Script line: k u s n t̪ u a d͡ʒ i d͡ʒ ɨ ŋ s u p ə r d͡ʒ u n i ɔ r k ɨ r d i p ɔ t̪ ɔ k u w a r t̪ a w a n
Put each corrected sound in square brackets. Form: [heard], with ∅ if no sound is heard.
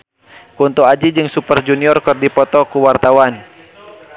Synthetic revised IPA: k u [∅] n t̪ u a d͡ʒ i d͡ʒ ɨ ŋ s u p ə r d͡ʒ u n i ɔ r k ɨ r d i p ɔ t̪ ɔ k u w a r t̪ a w a n